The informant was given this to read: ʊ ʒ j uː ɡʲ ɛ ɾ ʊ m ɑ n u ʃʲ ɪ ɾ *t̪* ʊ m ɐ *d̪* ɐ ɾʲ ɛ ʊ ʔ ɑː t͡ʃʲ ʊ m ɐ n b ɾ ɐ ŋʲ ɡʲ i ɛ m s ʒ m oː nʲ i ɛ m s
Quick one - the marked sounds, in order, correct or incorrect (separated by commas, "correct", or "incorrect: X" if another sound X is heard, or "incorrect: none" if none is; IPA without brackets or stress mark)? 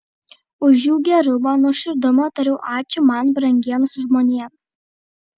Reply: incorrect: d̪, incorrect: t̪